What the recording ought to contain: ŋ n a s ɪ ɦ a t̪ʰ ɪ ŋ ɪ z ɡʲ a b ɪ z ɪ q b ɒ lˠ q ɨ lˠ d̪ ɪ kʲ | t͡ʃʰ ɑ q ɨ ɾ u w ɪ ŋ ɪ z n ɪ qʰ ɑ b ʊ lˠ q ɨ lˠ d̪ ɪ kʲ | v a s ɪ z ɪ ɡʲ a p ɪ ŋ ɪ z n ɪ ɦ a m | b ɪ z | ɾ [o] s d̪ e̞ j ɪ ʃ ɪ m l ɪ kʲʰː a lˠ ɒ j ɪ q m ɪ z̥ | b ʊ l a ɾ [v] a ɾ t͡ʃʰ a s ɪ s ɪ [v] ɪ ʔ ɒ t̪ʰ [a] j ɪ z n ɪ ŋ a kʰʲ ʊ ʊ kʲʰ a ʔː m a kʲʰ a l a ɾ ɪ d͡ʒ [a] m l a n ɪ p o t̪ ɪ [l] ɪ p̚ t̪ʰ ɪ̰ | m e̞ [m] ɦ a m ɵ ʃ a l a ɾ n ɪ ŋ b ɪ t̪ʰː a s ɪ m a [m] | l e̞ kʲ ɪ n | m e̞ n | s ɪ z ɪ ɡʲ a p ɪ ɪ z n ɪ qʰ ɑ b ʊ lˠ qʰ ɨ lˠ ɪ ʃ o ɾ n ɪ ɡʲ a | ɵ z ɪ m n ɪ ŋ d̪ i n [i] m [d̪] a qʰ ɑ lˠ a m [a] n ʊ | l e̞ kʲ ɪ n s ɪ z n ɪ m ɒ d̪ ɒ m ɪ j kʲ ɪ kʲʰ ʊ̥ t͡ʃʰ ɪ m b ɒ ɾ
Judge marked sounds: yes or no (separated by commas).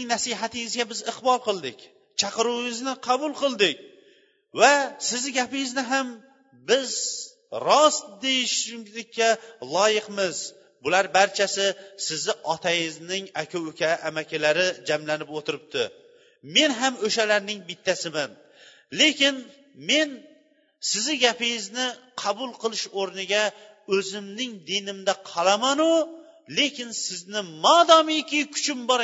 no, no, no, yes, yes, no, no, no, no, yes, yes